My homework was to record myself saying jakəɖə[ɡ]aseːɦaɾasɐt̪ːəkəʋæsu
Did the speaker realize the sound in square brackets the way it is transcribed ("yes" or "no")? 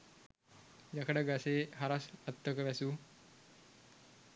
yes